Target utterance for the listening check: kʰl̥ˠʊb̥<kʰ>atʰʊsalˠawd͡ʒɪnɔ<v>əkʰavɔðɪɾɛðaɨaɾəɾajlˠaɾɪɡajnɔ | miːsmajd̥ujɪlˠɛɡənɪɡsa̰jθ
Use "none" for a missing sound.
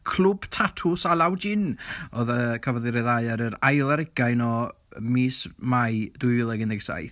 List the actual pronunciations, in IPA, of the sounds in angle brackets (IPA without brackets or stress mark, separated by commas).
tʰ, ð